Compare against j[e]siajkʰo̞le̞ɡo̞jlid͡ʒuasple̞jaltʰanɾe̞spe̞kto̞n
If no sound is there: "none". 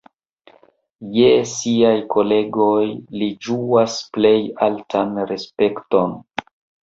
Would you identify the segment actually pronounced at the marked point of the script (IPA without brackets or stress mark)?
e